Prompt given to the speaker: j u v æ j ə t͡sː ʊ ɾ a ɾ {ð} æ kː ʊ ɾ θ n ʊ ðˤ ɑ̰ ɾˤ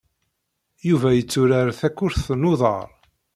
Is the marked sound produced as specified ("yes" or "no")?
no